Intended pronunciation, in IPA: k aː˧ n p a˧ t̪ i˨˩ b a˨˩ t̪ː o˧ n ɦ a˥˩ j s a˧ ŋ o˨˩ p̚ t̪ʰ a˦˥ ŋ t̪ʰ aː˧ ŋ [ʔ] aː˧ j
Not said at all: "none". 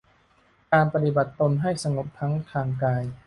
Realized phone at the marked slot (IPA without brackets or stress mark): k